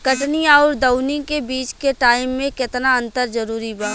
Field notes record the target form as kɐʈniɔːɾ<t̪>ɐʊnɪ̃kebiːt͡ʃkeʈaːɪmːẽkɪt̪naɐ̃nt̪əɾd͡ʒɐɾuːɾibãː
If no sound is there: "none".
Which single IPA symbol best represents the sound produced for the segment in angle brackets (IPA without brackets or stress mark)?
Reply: d̪